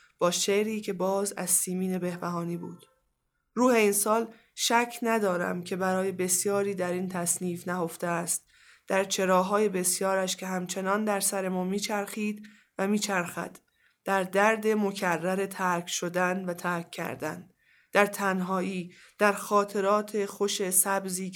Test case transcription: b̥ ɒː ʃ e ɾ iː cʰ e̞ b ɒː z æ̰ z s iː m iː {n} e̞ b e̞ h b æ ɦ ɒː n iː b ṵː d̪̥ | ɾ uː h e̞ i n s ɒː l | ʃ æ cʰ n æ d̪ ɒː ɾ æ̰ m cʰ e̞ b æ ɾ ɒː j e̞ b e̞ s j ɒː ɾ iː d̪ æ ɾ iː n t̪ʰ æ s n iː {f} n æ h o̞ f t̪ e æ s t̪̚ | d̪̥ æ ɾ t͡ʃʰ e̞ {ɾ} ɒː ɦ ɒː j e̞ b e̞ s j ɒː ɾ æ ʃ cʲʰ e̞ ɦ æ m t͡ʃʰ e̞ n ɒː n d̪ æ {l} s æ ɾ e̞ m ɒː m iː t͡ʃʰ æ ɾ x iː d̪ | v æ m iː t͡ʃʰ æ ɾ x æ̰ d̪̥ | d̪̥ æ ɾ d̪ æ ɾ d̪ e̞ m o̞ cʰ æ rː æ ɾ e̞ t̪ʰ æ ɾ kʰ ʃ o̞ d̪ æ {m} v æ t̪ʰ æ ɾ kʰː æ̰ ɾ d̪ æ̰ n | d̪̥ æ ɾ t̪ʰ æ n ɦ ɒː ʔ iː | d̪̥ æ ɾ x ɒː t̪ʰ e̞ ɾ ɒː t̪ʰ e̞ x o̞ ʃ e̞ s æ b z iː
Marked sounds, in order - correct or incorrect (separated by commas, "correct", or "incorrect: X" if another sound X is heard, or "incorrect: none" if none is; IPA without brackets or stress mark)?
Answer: correct, correct, correct, incorrect: ɾ, incorrect: n